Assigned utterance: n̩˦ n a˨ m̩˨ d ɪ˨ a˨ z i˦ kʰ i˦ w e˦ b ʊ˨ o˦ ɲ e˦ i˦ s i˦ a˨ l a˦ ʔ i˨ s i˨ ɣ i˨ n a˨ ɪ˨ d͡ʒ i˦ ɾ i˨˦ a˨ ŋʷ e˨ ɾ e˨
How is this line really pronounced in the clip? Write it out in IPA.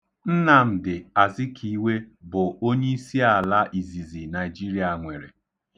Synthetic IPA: n̩˦ n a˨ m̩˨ d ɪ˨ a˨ z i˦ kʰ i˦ w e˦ b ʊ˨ o˦ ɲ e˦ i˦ s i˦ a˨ l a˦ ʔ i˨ z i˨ z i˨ n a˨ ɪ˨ d͡ʒ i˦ ɾ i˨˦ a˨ ŋʷ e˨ ɾ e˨